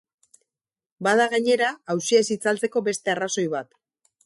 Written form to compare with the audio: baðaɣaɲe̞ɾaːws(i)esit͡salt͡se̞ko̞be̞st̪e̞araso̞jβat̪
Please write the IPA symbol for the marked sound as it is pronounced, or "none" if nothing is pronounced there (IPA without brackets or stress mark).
i